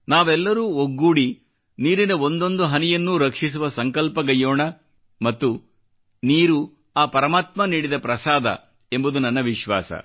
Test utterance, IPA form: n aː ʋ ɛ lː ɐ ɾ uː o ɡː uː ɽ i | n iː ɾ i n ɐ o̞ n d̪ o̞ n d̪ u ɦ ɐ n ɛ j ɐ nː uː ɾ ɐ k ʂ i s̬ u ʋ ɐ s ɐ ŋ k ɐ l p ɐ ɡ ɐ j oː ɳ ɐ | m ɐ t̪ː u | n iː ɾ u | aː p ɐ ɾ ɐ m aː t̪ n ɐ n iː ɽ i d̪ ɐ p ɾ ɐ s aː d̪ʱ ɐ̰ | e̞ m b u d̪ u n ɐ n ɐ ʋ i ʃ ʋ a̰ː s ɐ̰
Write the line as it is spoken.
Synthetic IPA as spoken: n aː ʋ ɛ lː ɐ ɾ uː o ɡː uː ɽ i | n iː ɾ i n ɐ o̞ n d̪ o̞ n d̪ u ɦ ɐ n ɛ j ɐ nː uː ɾ ɐ k ʂ i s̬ u ʋ ɐ s ɐ ŋ k ɐ l p ɐ ɡ ɐ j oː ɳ ɐ | m ɐ t̪ː u | n iː ɾ u | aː p ɐ ɾ ɐ m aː t̪ m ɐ n iː ɽ i d̪ ɐ p ɾ ɐ s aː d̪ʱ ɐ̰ | e̞ m b u d̪ u n ɐ nː ɐ ʋ i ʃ ʋ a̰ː s ɐ̰